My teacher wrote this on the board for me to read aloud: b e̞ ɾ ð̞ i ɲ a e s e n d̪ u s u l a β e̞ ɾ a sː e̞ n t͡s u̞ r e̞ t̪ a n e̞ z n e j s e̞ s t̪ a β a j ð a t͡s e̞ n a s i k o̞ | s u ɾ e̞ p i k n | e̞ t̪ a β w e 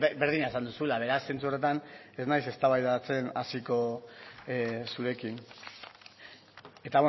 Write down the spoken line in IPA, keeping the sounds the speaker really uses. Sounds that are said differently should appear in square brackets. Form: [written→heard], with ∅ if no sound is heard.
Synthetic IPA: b e̞ ɾ ð̞ i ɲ a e s [e→a] n d̪ u s u l a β e̞ ɾ a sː e̞ n t͡s u̞ r e̞ t̪ a n e̞ z n [e→a] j s e̞ s t̪ a β a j ð a t͡s e̞ n a s i k o̞ | s u ɾ e̞ [p→k] i [k→∅] n | e̞ t̪ a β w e